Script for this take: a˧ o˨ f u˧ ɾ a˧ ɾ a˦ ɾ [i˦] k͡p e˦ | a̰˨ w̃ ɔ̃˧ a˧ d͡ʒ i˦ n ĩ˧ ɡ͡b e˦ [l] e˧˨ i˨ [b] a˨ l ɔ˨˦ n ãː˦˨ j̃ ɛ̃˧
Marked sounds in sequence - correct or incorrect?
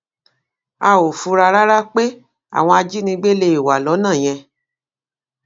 incorrect: a˦, correct, incorrect: w

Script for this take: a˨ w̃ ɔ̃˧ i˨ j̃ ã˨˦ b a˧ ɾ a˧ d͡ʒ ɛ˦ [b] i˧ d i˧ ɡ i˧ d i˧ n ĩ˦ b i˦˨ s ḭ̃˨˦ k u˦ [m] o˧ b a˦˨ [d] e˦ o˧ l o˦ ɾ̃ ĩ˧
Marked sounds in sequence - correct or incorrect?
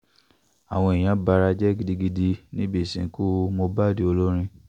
incorrect: ɡ, correct, correct

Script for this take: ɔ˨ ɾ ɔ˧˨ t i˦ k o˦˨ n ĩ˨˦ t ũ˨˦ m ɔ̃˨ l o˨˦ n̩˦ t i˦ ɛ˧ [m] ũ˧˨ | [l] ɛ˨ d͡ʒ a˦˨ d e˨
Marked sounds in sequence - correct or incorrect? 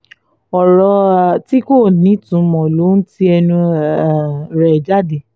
incorrect: n, incorrect: ɾ

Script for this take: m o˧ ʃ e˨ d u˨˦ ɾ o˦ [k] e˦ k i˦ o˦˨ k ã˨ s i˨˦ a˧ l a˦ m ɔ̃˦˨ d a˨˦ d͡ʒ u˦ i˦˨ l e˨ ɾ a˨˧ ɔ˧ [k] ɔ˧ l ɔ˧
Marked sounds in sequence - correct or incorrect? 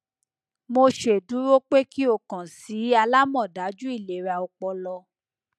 incorrect: k͡p, incorrect: k͡p

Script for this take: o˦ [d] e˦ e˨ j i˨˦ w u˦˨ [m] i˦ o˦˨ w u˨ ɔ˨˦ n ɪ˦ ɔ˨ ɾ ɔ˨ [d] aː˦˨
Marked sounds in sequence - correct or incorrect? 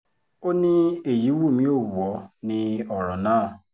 incorrect: n, correct, incorrect: n

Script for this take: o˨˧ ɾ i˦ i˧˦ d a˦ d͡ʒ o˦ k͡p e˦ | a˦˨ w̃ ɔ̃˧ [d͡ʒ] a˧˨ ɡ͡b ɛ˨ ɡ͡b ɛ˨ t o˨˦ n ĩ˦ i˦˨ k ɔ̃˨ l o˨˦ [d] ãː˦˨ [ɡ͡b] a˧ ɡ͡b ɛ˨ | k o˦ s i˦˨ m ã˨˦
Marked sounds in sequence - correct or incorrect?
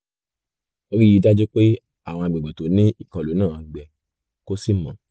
incorrect: none, incorrect: n, incorrect: none

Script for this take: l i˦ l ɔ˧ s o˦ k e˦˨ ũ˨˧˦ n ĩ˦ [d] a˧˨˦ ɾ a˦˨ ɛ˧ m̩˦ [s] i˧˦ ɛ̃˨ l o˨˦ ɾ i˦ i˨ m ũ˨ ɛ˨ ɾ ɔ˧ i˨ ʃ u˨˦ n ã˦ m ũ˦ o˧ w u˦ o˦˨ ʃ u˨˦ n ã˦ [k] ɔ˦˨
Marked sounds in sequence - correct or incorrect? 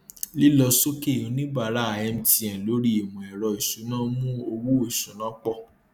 incorrect: b, incorrect: t, incorrect: k͡p

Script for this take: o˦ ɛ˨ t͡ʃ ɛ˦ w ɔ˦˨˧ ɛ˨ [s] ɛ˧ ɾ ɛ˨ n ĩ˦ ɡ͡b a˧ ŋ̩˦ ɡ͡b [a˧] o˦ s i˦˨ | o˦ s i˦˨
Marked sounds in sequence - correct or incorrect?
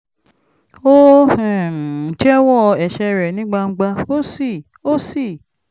incorrect: ʃ, correct

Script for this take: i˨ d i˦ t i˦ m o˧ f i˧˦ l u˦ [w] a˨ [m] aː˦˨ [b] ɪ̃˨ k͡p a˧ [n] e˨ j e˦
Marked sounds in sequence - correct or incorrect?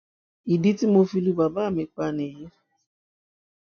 incorrect: b, incorrect: b, incorrect: m, correct

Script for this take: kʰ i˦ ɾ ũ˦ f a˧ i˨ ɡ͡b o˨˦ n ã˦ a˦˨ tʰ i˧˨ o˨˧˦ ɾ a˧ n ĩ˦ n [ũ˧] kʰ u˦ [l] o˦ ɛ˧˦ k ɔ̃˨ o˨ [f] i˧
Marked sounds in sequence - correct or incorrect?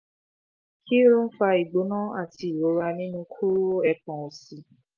correct, incorrect: ɾ, incorrect: s

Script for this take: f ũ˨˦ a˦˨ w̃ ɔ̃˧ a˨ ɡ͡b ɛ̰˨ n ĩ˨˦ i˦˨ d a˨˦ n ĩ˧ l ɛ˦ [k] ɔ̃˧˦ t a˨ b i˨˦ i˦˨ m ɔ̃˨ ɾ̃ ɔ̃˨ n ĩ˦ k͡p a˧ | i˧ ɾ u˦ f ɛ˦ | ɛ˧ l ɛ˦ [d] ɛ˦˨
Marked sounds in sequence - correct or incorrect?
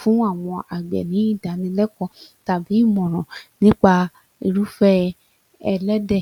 correct, correct

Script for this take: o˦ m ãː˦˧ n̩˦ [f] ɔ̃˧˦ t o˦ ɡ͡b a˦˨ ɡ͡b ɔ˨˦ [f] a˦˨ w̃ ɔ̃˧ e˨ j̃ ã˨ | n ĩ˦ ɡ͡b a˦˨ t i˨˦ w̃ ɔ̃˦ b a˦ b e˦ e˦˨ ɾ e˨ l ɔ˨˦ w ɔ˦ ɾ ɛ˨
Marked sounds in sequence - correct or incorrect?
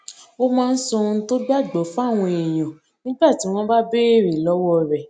incorrect: s, correct

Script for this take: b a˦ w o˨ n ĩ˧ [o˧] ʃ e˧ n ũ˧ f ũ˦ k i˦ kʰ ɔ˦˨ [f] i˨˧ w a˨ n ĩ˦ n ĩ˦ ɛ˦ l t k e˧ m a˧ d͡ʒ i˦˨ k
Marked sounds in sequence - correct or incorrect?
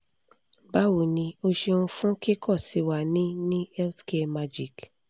correct, incorrect: s

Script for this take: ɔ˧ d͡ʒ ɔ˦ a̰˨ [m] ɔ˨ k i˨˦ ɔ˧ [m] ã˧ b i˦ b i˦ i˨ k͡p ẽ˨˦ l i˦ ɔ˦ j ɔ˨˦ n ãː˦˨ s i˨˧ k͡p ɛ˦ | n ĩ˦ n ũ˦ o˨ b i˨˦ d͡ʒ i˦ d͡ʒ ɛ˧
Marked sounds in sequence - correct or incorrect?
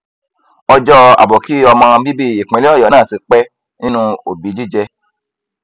incorrect: b, correct

